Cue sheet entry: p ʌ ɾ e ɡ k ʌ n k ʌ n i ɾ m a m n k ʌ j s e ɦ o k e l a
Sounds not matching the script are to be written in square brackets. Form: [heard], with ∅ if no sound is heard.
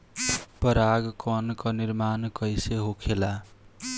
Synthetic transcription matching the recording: p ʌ ɾ [a] ɡ k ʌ n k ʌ n i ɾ m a [∅] n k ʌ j s e ɦ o [kʰ] e l a

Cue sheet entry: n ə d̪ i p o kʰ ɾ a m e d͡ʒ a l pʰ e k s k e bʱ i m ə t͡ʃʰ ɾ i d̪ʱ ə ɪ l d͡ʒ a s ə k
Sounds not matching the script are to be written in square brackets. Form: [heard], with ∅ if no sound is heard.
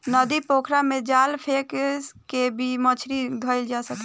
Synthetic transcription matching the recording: n ə d̪ i p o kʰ ɾ a m e d͡ʒ a l pʰ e k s k e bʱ i m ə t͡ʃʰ ɾ i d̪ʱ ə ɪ l d͡ʒ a s ə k

